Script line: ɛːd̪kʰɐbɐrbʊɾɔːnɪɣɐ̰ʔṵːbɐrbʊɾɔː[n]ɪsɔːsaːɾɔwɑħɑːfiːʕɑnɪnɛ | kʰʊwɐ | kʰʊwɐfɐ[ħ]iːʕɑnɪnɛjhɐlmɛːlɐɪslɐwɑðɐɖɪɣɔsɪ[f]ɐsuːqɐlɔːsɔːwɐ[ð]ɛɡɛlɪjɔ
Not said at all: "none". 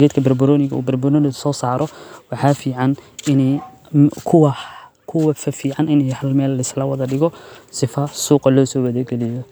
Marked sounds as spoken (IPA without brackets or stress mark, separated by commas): n, f, f, ð